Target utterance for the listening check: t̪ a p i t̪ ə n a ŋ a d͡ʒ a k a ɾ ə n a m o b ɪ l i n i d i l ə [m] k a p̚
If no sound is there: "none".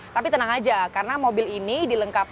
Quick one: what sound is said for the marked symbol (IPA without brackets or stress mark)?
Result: ŋ